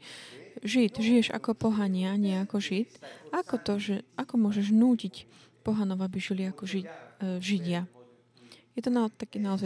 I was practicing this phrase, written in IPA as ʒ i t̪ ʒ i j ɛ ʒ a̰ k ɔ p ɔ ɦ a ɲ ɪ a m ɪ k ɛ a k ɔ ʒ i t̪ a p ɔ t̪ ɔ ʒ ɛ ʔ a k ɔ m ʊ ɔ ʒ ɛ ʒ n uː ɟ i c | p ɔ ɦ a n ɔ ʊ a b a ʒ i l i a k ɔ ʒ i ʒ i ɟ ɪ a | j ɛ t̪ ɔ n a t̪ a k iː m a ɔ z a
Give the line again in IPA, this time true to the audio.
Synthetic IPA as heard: ʒ i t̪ ʒ i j ɛ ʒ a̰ k ɔ p ɔ ɦ a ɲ ɪ a ɲ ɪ ɛ a k ɔ ʒ i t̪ a k ɔ t̪ ɔ ʒ ɛ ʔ a k ɔ m ʊ ɔ ʒ ɛ ʒ n uː c i c | p ɔ ɦ a n ɔ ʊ a b i ʒ i l i a k ɔ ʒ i ʒ i ɟ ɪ a | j ɛ t̪ ɔ n a t̪ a k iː n a ɔ z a